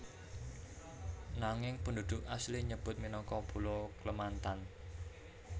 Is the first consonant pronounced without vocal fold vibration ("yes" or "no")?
no